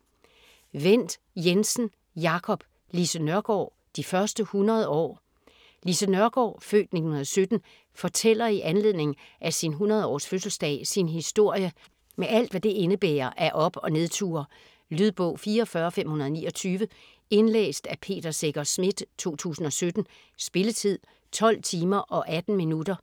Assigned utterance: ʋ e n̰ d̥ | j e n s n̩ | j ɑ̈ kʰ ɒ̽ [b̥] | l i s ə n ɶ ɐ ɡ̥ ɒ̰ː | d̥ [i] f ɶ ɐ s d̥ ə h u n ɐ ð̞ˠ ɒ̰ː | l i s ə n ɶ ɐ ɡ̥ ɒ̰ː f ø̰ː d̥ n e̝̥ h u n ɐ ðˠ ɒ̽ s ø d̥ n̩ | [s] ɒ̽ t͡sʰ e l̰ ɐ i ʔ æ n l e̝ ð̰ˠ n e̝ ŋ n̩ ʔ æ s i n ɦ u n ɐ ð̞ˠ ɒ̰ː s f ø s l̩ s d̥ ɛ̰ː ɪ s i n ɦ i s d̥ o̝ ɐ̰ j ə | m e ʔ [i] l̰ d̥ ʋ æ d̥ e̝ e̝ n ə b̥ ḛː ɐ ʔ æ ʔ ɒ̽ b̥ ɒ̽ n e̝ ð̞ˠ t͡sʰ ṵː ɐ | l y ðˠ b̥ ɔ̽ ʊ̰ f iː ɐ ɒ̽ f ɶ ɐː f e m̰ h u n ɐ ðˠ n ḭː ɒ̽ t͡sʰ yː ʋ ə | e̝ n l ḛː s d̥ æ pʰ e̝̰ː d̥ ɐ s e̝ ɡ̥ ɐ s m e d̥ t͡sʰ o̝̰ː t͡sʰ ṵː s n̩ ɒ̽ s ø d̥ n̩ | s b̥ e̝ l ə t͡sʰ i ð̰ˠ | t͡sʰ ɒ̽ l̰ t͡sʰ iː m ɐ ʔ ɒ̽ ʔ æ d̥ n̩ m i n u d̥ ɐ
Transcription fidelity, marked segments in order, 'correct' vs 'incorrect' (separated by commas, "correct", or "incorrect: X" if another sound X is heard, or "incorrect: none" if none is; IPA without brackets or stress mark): correct, correct, incorrect: f, incorrect: æ